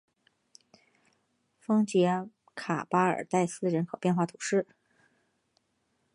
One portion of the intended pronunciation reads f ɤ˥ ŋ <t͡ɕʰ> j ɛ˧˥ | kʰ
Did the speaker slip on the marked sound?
yes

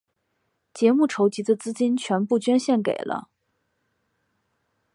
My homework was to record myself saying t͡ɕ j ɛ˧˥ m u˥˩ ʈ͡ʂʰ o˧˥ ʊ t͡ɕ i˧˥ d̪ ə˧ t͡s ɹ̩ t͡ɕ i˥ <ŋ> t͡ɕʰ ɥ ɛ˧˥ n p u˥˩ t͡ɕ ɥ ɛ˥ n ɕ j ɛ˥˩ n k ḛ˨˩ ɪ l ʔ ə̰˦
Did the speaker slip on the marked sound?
yes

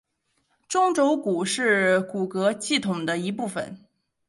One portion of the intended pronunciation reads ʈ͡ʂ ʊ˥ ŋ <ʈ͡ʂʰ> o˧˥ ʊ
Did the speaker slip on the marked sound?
yes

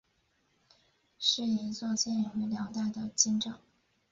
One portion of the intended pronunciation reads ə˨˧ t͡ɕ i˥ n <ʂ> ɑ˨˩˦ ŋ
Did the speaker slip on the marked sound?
yes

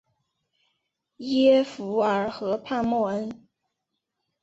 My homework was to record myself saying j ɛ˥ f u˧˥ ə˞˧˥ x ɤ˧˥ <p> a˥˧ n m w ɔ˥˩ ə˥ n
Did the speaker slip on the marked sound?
yes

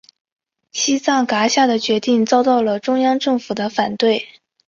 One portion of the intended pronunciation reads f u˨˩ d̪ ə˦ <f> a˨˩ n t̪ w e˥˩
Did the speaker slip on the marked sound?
no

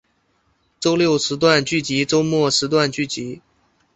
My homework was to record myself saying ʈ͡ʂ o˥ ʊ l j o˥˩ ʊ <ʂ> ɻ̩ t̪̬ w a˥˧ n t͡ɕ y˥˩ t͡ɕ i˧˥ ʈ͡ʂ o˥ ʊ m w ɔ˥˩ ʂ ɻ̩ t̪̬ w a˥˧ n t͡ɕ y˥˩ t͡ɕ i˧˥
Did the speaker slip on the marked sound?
no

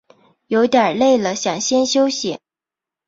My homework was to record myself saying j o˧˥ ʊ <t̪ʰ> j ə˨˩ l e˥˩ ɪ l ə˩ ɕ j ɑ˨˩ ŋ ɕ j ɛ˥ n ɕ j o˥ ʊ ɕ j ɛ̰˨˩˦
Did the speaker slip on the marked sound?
yes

